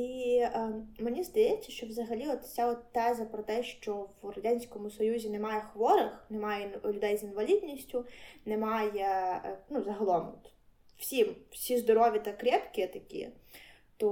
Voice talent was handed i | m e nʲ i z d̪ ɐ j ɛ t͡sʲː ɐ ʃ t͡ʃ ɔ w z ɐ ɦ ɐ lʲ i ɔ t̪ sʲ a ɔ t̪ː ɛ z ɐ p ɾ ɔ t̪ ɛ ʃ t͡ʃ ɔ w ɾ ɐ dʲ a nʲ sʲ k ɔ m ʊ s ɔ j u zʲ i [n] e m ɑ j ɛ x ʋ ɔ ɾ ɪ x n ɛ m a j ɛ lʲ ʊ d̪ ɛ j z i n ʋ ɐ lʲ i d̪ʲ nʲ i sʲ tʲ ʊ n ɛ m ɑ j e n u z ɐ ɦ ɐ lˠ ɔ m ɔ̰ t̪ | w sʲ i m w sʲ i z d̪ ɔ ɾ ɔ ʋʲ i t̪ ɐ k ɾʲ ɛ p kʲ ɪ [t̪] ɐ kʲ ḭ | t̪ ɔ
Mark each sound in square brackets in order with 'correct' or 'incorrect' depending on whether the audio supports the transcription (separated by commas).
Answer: correct, correct